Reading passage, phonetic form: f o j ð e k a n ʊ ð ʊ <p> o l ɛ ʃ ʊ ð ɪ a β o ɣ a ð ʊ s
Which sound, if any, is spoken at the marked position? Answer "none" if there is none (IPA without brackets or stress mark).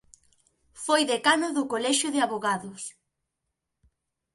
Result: k